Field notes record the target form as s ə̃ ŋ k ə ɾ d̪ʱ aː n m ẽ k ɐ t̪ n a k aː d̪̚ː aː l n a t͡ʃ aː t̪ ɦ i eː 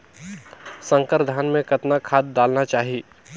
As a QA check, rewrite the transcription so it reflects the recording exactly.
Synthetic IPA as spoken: s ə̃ ŋ k ə ɾ d̪ʱ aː n m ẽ k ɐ t̪ n a kʰ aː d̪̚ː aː l n a t͡ʃ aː ɦ i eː